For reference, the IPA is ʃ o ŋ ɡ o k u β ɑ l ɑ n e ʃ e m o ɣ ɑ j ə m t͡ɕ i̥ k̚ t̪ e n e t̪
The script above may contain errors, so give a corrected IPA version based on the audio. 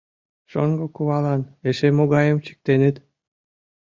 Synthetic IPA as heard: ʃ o ŋ ɡ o k u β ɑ l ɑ n e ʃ e m o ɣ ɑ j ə m t͡ɕ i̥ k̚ t̪ e n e t̪